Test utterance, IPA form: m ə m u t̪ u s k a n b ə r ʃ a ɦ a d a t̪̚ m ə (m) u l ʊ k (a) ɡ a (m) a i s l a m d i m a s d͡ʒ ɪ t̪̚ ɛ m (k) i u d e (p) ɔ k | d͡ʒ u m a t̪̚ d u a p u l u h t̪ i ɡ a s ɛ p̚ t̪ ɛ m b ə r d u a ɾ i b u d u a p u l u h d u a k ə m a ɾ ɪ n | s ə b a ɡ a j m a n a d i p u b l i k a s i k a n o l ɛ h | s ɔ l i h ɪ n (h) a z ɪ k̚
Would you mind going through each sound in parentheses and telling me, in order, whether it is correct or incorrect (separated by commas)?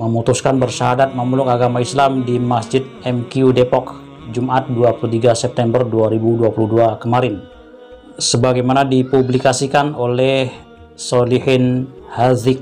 correct, correct, correct, correct, correct, correct